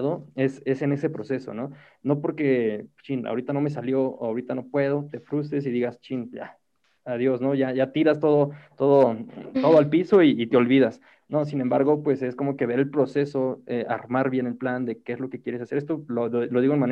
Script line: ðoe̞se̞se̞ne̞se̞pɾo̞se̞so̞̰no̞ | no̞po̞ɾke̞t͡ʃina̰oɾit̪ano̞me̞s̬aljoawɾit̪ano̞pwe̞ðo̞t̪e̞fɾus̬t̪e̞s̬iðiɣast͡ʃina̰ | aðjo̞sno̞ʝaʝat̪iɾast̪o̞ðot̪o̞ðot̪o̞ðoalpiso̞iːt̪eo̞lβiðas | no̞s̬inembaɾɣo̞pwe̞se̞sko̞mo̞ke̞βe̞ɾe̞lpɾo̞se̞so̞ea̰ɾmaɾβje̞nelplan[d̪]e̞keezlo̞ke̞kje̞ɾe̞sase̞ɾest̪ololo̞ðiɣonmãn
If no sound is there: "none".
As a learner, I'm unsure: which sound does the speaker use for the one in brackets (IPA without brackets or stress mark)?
d̪